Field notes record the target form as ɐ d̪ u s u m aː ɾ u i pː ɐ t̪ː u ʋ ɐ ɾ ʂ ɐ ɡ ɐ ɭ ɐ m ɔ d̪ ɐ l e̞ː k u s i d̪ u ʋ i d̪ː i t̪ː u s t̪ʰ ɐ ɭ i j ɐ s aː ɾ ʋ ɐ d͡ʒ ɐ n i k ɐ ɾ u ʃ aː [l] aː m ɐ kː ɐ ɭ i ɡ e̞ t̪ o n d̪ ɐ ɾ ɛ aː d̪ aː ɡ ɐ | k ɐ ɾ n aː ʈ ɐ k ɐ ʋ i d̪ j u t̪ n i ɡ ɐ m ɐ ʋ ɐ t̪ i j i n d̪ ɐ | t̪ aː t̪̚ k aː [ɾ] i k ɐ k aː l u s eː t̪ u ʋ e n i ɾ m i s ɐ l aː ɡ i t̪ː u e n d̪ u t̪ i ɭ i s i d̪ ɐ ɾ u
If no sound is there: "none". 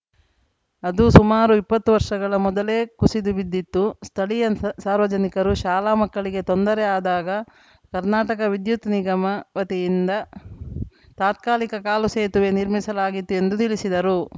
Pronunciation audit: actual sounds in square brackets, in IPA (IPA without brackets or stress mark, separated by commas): l, l